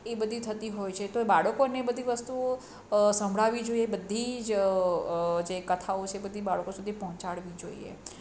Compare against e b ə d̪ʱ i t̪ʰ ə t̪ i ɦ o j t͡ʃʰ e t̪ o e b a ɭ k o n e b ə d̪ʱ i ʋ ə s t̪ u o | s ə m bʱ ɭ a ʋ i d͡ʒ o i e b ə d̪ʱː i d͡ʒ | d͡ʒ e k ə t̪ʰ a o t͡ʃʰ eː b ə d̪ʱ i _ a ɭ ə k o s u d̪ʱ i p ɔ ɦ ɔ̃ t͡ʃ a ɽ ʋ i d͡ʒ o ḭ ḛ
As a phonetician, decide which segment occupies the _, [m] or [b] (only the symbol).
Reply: b